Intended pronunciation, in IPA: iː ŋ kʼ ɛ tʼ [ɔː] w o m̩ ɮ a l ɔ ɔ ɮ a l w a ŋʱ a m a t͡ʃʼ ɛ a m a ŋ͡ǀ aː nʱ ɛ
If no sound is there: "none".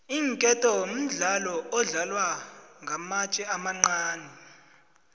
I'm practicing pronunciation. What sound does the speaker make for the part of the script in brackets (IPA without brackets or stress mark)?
ɔ